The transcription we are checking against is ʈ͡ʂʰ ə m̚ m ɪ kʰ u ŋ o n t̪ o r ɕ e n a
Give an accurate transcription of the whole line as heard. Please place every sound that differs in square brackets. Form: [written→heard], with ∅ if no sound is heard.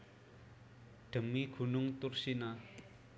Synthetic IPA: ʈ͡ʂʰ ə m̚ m [ɪ→i] kʰ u [ŋ→n] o [n→ŋ] t̪ o r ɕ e n a